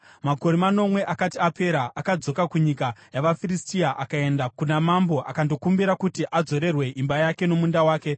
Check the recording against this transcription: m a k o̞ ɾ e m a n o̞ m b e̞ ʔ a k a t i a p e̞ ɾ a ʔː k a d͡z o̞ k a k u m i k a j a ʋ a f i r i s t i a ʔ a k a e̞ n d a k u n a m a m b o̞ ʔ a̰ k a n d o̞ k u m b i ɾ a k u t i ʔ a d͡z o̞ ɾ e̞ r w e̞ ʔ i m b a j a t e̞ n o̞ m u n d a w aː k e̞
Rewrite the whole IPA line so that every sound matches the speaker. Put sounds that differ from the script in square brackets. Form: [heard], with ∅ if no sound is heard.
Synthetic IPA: m a k o̞ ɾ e m a n o̞ m [w] e̞ ʔ a k a t i a p e̞ ɾ a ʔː k a d͡z o̞ k a k u [ɲ] i k a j a ʋ a f i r i s t i a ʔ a k a e̞ n d a k u n a m a m b o̞ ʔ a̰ k a n d o̞ k u m b i ɾ a k u t i ʔ a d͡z o̞ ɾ e̞ r w e̞ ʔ i m b a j a [k] e̞ n o̞ m u n d a w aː k e̞